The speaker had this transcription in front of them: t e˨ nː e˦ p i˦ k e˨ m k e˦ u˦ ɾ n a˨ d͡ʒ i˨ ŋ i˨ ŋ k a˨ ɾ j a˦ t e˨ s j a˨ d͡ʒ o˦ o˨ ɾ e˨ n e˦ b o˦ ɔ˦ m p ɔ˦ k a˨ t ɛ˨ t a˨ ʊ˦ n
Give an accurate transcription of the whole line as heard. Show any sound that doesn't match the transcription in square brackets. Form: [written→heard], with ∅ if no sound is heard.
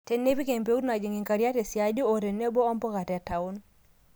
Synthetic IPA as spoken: t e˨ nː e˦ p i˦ k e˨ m [k→p] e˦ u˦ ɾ n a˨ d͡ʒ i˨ ŋ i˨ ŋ k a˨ ɾ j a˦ t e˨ s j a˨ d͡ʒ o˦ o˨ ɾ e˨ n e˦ b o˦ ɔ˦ m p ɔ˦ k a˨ t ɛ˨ t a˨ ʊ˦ n